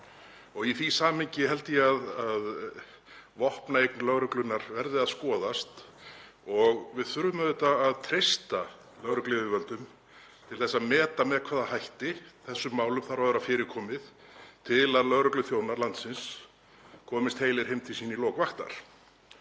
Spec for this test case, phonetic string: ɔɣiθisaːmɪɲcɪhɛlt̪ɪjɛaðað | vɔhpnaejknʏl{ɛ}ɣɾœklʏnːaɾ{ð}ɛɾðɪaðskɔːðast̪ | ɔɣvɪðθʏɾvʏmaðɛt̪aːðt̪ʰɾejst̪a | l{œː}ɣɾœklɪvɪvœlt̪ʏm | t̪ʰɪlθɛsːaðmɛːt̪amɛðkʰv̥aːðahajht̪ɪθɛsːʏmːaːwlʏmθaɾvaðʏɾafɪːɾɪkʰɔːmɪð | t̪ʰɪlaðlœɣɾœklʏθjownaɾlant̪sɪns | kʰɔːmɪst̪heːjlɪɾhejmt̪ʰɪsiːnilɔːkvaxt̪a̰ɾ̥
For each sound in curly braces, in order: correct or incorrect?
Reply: incorrect: œ, incorrect: v, incorrect: œ

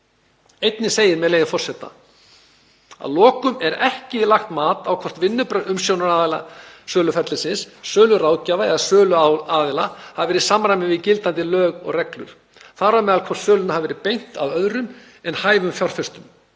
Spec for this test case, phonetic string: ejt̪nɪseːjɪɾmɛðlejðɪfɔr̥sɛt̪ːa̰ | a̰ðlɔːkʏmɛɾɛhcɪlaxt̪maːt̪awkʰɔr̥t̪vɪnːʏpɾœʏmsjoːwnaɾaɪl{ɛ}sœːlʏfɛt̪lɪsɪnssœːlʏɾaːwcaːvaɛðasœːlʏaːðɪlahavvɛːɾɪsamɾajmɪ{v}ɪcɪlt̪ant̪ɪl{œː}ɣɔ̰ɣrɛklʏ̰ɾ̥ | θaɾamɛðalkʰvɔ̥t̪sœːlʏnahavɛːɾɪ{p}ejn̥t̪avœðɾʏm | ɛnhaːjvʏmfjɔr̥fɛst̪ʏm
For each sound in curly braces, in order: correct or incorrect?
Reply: incorrect: a, correct, correct, correct

